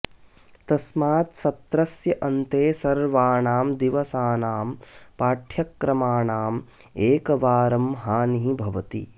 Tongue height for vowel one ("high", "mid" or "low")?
low